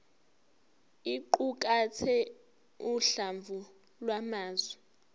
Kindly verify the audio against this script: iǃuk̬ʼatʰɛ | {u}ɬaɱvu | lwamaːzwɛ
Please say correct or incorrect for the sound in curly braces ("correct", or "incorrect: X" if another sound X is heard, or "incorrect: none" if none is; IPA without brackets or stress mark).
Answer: correct